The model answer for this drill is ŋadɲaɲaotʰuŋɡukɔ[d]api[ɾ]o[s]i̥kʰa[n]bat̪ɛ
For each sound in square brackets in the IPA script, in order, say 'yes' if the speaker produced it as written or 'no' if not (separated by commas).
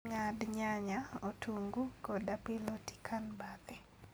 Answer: yes, no, no, yes